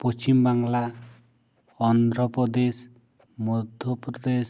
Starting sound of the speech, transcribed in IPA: p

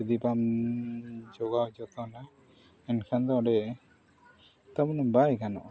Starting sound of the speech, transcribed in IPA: d̪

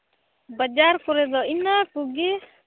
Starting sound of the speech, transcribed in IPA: b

